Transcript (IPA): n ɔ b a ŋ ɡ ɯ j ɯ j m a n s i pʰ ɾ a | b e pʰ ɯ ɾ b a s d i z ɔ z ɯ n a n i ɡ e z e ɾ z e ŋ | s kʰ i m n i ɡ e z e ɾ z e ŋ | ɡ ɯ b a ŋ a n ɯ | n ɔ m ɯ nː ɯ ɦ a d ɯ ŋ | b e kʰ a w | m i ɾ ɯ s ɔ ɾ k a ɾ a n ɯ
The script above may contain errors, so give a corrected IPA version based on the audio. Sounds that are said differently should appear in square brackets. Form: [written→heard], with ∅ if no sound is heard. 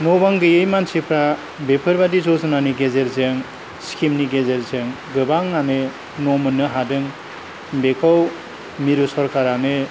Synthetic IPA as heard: n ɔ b a ŋ ɡ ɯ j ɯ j m a n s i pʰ ɾ a | b e pʰ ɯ ɾ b a [s→∅] d i z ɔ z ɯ n a n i ɡ e z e ɾ z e ŋ | s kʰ i m n i ɡ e z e ɾ z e ŋ | ɡ ɯ b a ŋ a n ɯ | n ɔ m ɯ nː ɯ ɦ a d ɯ ŋ | b e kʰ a w | m i ɾ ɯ s ɔ ɾ k a ɾ a n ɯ